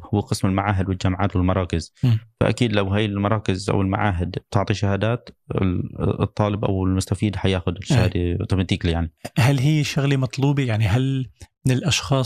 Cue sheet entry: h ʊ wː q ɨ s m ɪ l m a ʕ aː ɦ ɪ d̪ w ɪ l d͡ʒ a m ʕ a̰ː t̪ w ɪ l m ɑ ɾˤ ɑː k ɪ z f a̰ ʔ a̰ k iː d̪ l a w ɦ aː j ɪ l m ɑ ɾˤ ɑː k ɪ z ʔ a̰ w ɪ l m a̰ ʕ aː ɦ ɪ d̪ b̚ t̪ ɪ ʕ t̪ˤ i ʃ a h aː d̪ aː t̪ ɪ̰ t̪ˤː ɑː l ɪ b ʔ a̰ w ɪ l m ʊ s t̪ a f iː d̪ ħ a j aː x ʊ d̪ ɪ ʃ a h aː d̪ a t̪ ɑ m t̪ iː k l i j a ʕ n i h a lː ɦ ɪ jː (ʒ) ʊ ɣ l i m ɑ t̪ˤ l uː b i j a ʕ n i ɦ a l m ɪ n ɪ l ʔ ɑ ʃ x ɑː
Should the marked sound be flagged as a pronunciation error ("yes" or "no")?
yes